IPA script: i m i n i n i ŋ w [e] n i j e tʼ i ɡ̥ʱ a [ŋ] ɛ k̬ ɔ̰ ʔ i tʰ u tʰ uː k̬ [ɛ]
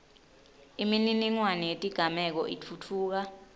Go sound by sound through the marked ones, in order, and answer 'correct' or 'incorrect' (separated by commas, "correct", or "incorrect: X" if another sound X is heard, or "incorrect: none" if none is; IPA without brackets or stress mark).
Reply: incorrect: a, incorrect: m, incorrect: a